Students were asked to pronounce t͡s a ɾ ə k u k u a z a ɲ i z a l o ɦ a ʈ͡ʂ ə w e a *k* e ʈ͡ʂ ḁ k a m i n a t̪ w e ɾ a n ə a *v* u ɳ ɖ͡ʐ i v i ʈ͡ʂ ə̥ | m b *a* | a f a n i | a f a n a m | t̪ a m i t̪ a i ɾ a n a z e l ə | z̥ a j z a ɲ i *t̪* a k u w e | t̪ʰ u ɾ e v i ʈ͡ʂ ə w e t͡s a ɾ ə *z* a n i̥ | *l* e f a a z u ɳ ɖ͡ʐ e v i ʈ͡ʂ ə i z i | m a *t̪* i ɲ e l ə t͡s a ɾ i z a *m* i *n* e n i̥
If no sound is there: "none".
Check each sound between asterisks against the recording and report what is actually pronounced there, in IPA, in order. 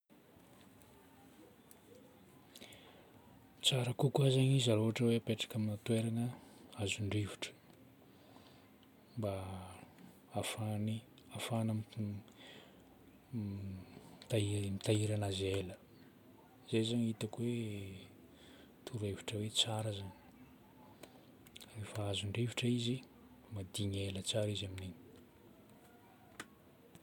p, z, a, t̪, z, r, d̪, m, n

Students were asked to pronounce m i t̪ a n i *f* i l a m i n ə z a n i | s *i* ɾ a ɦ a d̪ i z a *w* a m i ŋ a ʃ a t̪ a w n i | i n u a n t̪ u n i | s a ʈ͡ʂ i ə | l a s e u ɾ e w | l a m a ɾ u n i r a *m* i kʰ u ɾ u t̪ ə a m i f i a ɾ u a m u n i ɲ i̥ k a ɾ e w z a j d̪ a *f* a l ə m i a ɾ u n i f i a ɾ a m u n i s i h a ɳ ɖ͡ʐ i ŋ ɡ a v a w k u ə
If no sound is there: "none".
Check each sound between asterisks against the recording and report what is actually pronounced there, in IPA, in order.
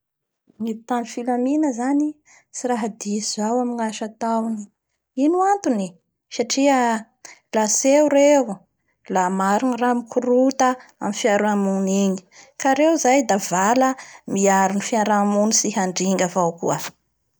f, i, w, m, v

